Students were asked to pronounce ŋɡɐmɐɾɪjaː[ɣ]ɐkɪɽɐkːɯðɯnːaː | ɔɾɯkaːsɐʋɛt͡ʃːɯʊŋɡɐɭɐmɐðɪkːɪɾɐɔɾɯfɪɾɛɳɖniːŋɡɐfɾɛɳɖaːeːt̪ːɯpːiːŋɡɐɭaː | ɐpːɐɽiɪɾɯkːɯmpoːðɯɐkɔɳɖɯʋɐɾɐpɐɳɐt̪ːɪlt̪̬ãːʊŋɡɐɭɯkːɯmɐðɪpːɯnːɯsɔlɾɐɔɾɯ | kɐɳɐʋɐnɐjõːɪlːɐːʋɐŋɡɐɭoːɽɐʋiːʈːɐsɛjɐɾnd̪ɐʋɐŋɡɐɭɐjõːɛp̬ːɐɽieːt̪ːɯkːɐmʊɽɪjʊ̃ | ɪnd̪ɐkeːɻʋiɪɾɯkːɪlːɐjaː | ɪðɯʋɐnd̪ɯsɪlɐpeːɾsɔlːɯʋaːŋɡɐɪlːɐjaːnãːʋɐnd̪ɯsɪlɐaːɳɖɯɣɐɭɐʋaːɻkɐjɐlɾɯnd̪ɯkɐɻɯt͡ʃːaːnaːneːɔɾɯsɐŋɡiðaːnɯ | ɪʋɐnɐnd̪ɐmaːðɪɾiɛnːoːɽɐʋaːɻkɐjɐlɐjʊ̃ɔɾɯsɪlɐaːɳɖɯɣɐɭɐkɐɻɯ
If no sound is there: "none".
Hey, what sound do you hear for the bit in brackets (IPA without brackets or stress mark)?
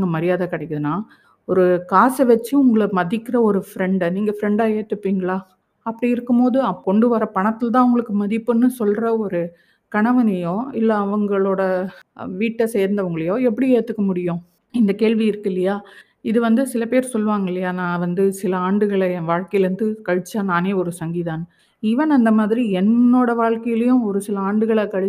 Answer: ð